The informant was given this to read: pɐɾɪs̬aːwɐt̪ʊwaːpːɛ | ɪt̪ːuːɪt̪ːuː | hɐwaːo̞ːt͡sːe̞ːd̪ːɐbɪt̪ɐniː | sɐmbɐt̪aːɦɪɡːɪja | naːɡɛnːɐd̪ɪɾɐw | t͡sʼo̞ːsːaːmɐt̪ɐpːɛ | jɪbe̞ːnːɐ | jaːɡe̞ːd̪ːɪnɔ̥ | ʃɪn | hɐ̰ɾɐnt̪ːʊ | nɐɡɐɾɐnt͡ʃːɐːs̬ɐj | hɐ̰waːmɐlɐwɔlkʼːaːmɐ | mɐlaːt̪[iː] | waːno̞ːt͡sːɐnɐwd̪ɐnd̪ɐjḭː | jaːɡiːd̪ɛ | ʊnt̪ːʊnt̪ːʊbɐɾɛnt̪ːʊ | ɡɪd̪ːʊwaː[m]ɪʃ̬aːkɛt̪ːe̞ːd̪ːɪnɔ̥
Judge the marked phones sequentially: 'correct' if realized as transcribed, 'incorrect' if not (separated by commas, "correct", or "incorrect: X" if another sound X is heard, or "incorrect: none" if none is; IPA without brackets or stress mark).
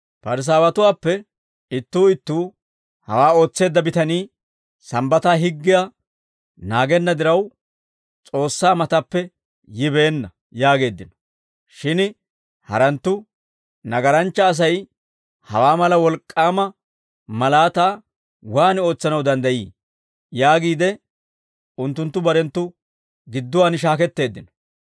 incorrect: aː, incorrect: n